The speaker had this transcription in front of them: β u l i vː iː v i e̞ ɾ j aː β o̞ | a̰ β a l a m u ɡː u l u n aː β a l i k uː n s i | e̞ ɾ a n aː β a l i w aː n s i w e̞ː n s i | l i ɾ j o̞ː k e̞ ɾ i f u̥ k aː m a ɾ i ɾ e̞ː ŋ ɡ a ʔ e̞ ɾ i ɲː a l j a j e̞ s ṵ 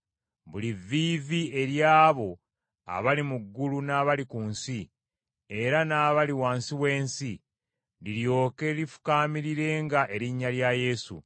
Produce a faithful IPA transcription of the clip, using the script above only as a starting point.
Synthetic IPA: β u l i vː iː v i e̞ ɾ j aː β o̞ | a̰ β a l i m u ɡː u l u n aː β a l i k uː n s i | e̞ ɾ a n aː β a l i w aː n s i w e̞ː n s i | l i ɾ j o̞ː k e̞ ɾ i f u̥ k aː m i ɾ i ɾ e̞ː ŋ ɡ a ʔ e̞ ɾ i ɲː a l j a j e̞ s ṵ